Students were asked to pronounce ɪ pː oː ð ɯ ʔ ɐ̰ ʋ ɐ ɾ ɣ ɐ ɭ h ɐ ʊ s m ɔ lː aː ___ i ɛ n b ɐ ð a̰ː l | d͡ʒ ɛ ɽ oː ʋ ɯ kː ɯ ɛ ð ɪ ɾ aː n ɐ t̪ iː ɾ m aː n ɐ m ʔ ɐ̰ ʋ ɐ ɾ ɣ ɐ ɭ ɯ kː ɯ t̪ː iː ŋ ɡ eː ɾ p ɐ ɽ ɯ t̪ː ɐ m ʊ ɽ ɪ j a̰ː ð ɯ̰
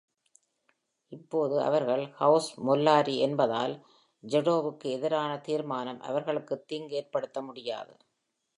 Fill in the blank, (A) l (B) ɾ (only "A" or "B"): B